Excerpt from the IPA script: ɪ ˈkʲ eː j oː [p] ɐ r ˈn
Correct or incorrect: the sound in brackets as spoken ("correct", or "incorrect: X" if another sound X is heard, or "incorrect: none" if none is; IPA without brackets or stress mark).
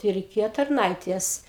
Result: incorrect: t